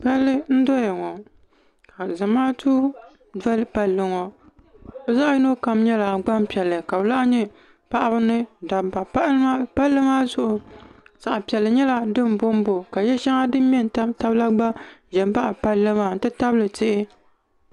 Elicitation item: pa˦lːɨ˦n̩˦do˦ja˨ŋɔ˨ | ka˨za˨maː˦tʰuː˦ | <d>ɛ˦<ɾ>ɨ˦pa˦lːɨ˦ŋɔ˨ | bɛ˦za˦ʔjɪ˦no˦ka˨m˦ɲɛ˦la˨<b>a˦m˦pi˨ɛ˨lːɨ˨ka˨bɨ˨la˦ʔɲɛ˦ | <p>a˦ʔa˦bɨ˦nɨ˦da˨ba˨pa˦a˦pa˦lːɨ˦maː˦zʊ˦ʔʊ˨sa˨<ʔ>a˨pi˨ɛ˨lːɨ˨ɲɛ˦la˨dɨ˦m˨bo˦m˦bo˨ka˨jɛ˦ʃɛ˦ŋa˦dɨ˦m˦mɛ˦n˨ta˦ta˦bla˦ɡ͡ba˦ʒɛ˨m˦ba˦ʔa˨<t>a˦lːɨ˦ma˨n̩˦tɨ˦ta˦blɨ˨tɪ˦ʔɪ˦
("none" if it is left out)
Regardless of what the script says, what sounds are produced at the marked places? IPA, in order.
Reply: d, l, ɡ͡b, p, ʔ, p

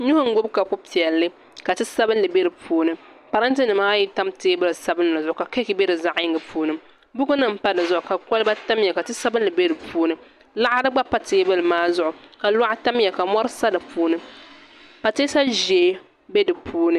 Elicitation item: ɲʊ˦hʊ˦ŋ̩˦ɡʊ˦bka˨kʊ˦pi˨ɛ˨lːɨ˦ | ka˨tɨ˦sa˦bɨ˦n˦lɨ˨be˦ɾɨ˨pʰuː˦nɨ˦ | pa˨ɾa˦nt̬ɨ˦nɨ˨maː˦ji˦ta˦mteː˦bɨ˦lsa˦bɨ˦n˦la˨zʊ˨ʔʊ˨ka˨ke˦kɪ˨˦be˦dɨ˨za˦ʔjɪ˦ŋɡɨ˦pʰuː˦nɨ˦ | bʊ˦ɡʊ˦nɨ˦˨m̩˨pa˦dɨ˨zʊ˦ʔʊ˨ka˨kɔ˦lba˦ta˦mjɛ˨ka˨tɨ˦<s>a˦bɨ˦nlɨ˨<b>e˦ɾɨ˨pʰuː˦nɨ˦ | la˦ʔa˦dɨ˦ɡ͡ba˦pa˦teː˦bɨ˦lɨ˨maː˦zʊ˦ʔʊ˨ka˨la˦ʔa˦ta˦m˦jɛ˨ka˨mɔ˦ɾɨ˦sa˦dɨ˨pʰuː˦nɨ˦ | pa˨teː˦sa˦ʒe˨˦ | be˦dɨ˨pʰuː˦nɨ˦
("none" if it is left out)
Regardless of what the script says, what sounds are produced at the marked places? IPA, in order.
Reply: s, b

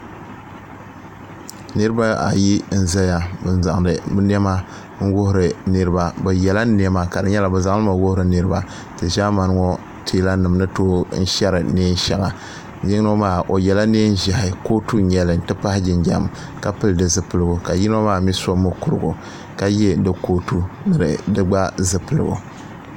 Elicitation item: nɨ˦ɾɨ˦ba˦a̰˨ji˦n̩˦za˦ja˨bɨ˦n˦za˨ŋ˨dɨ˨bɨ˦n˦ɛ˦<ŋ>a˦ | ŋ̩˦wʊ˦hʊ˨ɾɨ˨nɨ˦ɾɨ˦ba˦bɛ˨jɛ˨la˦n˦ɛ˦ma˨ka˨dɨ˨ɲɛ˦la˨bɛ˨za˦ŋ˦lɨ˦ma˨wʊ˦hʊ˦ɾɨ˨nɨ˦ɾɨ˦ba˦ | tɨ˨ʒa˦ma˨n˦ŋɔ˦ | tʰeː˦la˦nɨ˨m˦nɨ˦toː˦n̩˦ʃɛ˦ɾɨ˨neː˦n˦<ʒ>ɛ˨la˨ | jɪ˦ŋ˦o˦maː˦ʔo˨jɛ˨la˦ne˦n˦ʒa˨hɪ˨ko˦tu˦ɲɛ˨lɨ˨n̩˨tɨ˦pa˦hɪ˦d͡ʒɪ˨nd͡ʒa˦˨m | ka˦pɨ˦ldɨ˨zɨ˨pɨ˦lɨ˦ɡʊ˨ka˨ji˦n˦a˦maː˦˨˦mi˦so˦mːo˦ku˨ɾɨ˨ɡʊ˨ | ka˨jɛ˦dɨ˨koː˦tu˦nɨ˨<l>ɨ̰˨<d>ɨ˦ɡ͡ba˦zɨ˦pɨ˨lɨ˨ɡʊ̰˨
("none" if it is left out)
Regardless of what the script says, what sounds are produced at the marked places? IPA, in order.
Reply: m, ʃ, ɾ, d

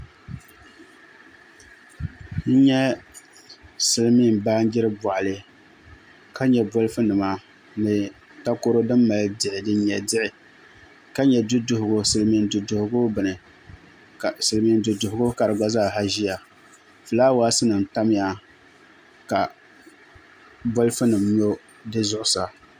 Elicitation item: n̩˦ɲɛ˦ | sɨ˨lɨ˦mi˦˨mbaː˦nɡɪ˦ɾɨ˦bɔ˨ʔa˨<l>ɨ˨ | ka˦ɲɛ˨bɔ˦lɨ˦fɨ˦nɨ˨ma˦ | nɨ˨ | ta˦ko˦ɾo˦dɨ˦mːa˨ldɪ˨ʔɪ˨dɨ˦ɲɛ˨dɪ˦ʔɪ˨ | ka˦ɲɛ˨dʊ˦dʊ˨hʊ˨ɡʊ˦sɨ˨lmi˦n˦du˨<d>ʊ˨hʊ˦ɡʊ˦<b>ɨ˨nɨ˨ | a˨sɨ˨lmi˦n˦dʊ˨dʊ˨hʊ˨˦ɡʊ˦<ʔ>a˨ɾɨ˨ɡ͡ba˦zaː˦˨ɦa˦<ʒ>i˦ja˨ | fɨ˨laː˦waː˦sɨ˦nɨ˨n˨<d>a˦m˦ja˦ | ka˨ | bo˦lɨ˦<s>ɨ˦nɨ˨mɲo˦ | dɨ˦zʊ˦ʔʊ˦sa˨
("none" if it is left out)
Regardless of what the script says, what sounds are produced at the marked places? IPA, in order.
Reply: l, d, b, k, ʒ, t, f

